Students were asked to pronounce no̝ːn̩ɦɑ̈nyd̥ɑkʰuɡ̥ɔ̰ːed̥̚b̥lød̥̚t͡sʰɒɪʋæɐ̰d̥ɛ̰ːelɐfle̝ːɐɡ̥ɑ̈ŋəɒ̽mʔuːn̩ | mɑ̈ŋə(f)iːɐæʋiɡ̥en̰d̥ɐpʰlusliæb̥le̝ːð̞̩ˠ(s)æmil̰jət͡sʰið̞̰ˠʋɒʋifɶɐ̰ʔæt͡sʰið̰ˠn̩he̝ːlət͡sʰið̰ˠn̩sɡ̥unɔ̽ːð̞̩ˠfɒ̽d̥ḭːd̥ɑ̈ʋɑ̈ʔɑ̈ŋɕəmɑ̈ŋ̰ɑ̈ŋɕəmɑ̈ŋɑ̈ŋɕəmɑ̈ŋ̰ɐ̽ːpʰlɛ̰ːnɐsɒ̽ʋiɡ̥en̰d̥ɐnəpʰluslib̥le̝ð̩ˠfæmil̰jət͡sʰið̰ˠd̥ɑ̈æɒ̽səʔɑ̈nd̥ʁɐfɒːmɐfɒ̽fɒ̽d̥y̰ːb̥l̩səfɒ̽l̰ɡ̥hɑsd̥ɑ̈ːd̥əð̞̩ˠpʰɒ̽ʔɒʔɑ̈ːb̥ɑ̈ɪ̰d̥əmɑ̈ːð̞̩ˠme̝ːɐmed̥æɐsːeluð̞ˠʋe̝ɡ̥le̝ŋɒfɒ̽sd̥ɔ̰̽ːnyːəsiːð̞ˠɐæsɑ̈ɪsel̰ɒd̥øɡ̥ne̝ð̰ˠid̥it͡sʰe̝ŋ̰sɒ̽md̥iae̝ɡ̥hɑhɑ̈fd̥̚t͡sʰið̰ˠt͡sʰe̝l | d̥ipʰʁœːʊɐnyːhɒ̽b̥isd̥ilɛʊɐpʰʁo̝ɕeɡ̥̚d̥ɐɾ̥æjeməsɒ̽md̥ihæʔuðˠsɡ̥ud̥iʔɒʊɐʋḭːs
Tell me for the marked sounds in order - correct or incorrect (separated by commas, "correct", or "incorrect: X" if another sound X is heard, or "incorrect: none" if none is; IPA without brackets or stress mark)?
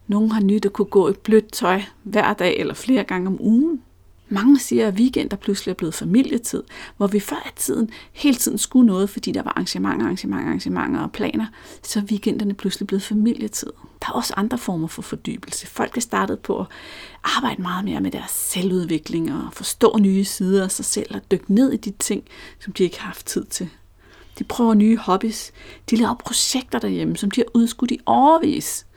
incorrect: s, incorrect: f